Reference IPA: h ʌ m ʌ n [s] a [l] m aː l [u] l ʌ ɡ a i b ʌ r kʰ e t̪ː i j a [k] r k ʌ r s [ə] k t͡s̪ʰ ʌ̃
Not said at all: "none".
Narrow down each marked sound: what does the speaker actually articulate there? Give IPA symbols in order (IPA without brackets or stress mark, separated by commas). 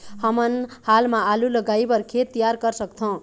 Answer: h, l, u, none, ʌ